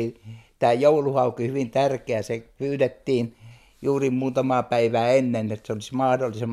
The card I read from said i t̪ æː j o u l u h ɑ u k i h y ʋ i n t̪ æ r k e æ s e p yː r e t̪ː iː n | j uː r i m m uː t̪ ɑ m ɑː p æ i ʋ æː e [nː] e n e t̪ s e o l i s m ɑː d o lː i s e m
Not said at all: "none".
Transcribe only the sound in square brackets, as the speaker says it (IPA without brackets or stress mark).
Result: nː